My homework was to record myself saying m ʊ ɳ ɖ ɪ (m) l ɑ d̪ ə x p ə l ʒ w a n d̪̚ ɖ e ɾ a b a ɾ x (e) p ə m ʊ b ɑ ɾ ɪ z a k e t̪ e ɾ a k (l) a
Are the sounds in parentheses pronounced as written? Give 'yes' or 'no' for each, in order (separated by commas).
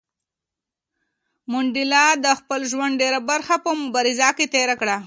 no, no, no